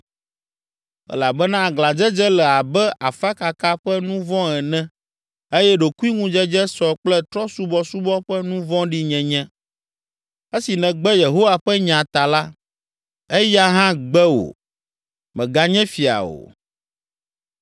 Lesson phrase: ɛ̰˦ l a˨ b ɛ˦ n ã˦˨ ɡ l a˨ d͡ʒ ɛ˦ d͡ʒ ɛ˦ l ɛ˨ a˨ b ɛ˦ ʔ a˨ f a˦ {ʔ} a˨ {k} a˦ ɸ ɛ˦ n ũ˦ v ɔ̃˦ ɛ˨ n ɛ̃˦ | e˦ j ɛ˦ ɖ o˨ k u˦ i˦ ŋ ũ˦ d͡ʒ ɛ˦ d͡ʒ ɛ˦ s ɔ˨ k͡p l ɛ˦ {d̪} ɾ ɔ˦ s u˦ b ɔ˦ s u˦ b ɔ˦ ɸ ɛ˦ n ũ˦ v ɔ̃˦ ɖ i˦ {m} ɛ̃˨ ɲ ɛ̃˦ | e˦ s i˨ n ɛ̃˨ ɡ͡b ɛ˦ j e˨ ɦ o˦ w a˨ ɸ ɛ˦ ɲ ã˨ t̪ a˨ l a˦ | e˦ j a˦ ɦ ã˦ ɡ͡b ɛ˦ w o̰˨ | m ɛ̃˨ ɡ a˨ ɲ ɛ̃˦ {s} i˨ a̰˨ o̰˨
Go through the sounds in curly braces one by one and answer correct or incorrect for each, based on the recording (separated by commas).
incorrect, correct, incorrect, incorrect, incorrect